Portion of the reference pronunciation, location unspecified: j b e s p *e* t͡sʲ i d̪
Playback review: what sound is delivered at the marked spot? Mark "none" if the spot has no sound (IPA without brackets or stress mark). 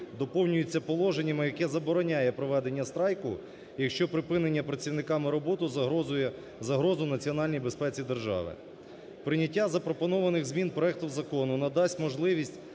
ɛ